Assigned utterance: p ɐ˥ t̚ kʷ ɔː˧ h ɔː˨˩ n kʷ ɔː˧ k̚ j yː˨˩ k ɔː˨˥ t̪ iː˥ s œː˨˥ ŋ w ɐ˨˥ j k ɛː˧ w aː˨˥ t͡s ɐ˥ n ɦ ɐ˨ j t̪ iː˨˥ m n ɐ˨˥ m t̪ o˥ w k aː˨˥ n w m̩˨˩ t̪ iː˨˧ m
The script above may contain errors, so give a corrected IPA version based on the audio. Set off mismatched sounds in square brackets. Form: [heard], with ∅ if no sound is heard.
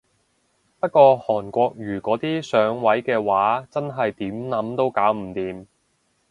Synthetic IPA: p ɐ˥ t̚ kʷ ɔː˧ h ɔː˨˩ n kʷ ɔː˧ k̚ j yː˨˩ k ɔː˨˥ t̪ iː˥ s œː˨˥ ŋ w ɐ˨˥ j k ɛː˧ w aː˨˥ t͡s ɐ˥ n ɦ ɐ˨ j t̪ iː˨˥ m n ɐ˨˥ m t̪ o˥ w k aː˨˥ [∅] w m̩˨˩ t̪ iː˨˧ m